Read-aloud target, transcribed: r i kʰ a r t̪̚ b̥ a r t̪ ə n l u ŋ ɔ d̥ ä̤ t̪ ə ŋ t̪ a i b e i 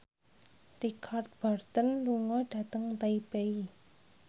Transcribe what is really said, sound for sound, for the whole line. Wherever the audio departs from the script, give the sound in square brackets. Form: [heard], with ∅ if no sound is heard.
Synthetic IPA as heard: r i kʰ a r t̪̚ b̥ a r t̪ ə n l u ŋ ɔ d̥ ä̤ t̪ ə ŋ t̪ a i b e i